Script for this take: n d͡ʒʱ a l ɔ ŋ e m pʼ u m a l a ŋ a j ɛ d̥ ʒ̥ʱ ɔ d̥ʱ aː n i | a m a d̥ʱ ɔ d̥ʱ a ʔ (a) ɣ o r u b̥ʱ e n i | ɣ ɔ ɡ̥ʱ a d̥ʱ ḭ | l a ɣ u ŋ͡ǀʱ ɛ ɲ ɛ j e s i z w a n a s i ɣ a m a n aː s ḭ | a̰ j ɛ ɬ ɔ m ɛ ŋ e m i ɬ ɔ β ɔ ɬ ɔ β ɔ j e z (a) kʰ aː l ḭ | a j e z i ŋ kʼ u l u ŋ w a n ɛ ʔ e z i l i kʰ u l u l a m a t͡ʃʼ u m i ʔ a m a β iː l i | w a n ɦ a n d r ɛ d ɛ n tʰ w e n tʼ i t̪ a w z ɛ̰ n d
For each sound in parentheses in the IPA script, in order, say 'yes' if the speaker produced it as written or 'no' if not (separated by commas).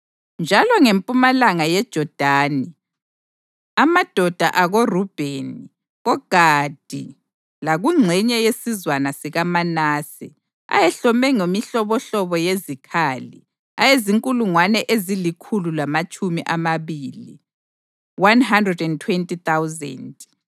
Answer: yes, no